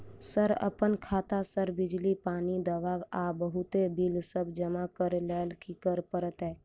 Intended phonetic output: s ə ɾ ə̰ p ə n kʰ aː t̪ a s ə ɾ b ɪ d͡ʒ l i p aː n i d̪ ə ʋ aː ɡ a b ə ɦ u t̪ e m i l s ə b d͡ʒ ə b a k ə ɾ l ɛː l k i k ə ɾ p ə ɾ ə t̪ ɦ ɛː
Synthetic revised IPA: s ə ɾ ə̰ p ə n kʰ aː t̪ a s ə ɾ b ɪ d͡ʒ l i p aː n i d̪ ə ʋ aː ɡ a b ə ɦ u t̪ e b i l s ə b d͡ʒ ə m a k ə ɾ l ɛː l k i k ə ɾ p ə ɾ ə t̪ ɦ ɛː